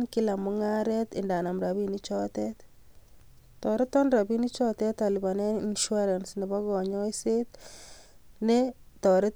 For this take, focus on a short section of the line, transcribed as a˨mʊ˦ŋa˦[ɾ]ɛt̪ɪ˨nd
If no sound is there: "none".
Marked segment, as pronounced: ɾ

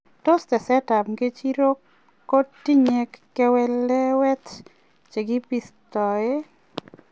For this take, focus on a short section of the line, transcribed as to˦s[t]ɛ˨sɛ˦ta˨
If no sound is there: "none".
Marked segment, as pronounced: t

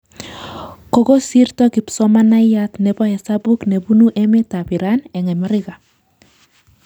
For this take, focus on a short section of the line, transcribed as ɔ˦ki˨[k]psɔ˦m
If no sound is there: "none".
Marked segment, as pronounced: none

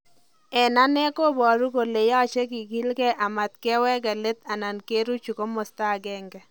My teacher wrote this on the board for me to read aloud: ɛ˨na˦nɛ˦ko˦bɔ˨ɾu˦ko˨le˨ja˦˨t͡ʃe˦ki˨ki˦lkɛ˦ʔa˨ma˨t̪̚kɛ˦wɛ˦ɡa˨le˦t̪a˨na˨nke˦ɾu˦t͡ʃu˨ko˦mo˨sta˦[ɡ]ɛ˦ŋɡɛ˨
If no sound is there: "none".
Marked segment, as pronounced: ɡ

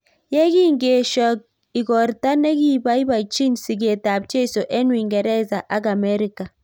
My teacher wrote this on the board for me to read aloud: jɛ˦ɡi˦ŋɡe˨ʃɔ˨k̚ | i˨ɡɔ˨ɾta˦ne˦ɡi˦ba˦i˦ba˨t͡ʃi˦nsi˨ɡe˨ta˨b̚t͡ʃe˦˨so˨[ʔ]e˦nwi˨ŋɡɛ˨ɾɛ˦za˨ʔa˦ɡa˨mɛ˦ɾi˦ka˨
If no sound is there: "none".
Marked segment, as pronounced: ʔ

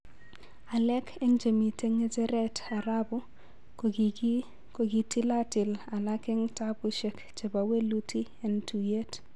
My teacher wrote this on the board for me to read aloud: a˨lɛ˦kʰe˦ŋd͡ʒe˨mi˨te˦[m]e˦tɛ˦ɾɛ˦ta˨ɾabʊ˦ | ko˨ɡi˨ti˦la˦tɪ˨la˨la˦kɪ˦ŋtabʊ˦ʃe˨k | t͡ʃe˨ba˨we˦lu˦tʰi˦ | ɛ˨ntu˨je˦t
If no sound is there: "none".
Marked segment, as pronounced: ŋ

